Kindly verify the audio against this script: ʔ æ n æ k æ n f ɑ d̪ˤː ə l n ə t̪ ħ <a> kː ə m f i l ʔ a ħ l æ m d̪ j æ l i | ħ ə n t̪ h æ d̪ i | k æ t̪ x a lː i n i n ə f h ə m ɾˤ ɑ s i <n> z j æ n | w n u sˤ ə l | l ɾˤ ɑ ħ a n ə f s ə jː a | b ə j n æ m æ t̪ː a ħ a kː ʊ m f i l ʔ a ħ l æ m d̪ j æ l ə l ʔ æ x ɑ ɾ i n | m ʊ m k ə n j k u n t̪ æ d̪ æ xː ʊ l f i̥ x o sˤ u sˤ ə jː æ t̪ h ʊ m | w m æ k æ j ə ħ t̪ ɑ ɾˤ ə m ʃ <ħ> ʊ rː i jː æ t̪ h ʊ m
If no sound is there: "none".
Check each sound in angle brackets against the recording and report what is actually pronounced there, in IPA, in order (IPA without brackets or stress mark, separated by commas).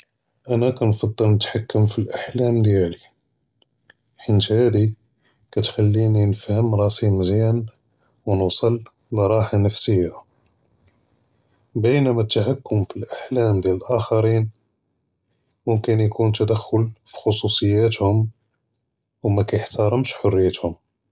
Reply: a, m, ħ